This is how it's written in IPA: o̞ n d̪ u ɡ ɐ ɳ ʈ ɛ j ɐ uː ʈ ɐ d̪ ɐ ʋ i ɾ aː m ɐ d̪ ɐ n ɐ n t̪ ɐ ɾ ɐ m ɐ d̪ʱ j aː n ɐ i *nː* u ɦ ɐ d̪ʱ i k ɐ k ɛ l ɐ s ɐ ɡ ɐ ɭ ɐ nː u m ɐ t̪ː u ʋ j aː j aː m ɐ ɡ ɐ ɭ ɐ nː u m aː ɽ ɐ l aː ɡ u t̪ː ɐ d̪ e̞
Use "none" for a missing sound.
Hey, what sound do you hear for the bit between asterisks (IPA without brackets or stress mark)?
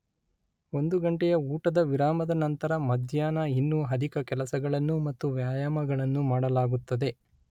nː